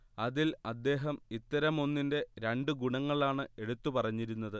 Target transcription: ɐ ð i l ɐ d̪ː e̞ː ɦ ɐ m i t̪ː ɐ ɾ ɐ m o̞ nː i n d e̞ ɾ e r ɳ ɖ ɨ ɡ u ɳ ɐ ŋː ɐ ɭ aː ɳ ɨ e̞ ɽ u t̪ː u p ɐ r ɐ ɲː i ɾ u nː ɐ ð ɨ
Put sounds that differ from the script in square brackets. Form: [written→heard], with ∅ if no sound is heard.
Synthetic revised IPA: ɐ ð i l ɐ d̪ː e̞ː ɦ ɐ m i t̪ː ɐ ɾ ɐ m o̞ nː i n d e̞ ɾ e [r→∅] ɳ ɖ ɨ ɡ u ɳ ɐ ŋː ɐ ɭ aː ɳ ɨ e̞ ɽ u t̪ː u p ɐ r ɐ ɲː i ɾ u nː ɐ ð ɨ